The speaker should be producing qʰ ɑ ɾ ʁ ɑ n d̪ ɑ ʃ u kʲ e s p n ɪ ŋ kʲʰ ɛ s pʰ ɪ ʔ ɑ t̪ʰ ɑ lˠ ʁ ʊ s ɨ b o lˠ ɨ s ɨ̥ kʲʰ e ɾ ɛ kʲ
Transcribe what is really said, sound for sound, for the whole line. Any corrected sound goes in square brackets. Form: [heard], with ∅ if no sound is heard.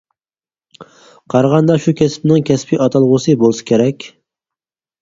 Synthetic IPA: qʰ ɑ ɾ ʁ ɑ n d̪ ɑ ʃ u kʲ [ɛ] s p n ɪ ŋ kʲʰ ɛ s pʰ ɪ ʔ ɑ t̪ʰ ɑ lˠ ʁ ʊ s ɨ b o lˠ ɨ s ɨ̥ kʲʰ e ɾ ɛ kʲ